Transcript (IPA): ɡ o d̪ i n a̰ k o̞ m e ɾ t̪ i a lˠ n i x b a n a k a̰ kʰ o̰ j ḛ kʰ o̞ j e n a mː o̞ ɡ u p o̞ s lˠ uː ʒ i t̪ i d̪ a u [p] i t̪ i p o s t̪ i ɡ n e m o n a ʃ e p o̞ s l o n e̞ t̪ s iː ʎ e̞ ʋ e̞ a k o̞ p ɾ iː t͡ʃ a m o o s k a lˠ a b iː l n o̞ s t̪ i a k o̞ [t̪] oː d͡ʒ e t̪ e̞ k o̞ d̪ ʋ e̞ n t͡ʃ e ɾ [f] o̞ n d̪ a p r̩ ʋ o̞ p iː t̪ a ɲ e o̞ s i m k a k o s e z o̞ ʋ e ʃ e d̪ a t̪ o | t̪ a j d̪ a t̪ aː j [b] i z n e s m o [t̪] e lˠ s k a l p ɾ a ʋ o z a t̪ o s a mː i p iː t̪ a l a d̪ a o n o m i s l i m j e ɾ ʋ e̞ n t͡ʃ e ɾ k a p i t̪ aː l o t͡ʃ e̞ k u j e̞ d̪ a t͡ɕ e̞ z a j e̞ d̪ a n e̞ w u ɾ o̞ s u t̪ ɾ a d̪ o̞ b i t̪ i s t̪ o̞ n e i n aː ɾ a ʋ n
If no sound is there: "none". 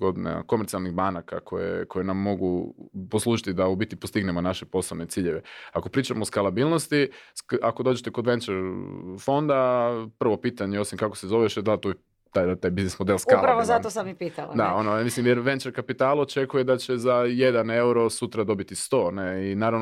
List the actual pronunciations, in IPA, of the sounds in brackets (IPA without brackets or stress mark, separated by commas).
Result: b, d̪, f, b, d̪